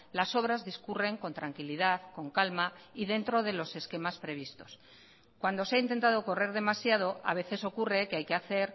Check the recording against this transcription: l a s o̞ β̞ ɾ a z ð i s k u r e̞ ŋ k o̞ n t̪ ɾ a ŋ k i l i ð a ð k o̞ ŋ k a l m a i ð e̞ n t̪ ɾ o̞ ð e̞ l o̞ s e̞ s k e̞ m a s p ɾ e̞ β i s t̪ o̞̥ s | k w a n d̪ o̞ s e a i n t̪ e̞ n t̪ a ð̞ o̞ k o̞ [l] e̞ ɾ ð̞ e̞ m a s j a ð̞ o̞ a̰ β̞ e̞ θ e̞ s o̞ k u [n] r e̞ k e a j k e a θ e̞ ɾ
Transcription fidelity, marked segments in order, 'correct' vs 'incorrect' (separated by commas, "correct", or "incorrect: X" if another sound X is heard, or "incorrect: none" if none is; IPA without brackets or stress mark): incorrect: r, incorrect: none